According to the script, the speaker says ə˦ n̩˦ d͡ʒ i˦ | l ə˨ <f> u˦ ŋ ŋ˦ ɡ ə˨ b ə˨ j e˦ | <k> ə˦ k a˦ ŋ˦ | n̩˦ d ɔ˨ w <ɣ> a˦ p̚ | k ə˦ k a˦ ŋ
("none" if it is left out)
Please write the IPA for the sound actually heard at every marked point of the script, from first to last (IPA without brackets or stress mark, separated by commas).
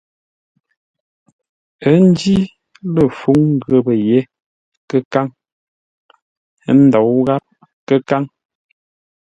f, k, ɣ